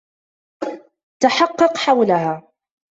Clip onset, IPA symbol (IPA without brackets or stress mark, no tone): t̪